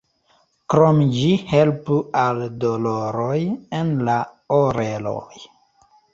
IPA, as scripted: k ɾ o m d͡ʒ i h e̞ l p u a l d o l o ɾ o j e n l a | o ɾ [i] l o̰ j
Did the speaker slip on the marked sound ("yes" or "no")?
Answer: yes